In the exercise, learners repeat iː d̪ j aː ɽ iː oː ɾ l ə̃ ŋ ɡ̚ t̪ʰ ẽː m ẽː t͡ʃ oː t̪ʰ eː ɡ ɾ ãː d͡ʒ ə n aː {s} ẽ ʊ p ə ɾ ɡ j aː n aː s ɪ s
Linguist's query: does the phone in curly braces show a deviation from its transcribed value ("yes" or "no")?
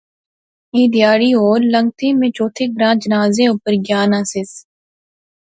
yes